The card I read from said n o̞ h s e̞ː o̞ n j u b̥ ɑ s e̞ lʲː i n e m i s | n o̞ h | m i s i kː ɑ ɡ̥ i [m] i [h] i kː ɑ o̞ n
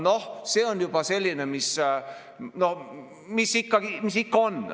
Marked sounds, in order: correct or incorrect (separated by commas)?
correct, incorrect